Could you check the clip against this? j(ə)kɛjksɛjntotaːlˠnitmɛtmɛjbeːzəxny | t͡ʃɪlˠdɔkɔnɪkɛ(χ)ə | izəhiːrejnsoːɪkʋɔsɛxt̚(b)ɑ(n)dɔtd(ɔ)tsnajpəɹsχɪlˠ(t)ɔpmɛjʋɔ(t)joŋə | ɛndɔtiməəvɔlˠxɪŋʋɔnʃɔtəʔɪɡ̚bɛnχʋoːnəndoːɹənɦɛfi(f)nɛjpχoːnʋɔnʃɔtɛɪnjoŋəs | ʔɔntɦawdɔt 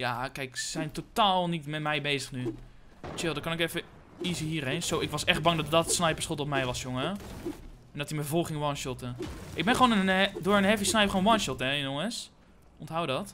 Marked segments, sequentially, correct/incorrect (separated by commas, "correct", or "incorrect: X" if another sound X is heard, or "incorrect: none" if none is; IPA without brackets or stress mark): incorrect: a, incorrect: f, correct, incorrect: ŋ, correct, correct, incorrect: s, incorrect: s